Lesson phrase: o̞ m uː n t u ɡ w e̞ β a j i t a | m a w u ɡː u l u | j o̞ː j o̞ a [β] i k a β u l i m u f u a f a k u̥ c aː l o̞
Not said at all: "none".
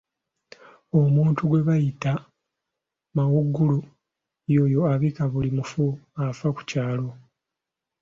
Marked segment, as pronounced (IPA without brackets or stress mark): β